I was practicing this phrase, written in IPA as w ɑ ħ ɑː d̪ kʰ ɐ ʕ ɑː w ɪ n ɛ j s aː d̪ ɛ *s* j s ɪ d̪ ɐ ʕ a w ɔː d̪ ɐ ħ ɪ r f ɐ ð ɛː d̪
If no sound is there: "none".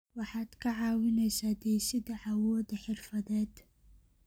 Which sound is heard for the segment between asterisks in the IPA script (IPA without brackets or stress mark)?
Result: none